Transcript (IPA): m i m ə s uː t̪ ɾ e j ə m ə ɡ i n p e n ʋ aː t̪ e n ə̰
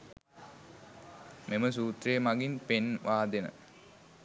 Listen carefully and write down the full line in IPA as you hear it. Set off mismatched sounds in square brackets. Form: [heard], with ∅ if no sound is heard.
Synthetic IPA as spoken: m [e] m ə s uː t̪ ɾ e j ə m [a] ɡ i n p e n ʋ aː [d̪] e n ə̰